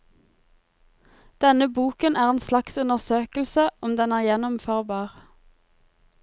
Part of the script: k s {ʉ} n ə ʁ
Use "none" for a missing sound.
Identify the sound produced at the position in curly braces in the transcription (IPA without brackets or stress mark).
ʉ